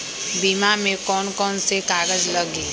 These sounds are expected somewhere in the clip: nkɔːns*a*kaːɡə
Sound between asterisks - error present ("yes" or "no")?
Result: yes